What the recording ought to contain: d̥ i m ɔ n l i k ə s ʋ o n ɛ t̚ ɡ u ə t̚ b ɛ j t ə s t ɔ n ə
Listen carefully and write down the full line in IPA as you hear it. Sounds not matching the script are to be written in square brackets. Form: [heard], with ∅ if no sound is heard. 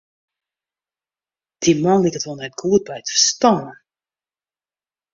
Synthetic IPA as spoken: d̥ i m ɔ n l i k ə [t] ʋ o n ɛ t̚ ɡ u ə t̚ b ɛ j t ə s t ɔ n ə